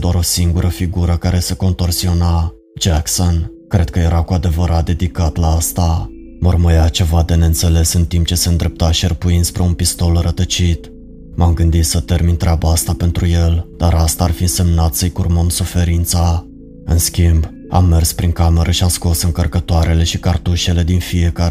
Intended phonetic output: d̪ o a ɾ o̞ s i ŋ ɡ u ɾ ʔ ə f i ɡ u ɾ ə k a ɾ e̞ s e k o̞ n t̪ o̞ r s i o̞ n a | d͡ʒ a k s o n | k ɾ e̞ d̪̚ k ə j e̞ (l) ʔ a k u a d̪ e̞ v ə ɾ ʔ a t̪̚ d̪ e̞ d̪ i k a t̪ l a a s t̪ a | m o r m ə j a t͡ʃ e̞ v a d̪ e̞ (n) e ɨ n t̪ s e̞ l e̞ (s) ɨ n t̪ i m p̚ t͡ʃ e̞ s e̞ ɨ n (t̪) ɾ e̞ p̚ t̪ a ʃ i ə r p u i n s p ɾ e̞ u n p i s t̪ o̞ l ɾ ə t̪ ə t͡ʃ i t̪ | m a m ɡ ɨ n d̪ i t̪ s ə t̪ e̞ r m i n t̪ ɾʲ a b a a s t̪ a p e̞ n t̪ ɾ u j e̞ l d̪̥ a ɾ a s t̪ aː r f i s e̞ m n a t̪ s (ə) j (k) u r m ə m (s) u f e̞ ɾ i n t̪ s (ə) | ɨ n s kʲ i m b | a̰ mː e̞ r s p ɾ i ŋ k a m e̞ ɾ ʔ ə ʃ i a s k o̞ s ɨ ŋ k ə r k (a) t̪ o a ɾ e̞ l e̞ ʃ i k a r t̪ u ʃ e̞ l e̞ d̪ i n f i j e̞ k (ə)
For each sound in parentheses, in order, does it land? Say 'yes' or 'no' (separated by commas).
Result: no, yes, yes, no, yes, yes, yes, no, no, no